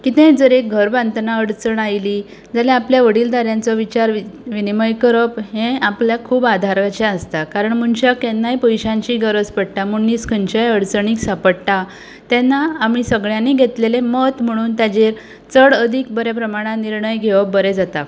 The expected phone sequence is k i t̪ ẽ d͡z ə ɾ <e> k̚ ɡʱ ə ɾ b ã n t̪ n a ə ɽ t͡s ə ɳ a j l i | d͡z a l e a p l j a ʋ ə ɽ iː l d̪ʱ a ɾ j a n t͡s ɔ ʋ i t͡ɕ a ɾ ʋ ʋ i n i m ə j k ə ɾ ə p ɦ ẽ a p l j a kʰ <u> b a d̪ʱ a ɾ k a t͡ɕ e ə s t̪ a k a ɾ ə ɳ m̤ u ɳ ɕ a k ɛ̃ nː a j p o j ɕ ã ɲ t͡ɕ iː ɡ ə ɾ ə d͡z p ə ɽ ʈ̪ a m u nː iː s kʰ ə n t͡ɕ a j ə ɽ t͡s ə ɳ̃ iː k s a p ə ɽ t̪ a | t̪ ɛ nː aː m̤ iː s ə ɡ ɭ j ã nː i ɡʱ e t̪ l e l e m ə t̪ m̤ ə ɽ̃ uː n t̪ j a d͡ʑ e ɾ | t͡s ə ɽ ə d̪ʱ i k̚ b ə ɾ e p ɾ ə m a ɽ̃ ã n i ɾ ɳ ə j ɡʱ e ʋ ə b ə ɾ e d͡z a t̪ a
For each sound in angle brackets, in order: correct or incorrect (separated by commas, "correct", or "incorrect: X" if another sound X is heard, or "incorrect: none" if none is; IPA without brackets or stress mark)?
correct, incorrect: uː